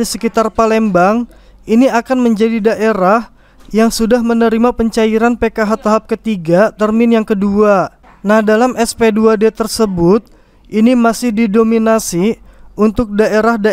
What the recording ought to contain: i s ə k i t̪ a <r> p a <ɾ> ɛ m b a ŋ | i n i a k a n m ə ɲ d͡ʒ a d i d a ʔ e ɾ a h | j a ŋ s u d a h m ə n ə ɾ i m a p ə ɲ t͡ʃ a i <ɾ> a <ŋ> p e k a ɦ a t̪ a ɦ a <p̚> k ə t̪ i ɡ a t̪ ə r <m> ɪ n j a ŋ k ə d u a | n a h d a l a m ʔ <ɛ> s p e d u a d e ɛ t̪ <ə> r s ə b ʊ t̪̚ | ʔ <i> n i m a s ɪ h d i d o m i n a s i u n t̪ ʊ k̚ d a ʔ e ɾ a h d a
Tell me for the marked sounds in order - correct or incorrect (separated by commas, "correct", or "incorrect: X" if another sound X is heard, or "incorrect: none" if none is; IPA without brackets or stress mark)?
correct, incorrect: l, correct, incorrect: n, correct, correct, correct, correct, correct